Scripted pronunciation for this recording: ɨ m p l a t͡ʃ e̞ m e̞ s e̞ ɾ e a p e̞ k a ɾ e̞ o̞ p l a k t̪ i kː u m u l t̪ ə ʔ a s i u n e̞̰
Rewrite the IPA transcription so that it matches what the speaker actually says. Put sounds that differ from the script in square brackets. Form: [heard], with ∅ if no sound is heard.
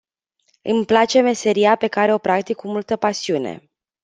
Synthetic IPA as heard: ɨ m p l a t͡ʃ e̞ m e̞ s e̞ ɾ [i] a p e̞ k a ɾ e̞ o̞ p [ɾ] a k t̪ i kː u m u l t̪ ə [p] a s i u n e̞̰